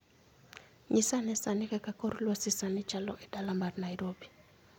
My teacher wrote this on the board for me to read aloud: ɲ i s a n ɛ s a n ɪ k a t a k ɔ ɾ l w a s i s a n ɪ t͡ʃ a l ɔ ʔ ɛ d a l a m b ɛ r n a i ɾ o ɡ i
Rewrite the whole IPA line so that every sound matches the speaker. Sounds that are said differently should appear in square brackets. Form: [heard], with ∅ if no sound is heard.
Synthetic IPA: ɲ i s a n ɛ s a n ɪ k a [k] a k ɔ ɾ l w a s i s a n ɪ t͡ʃ a l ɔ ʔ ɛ d a l a m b [a] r n a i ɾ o [b] i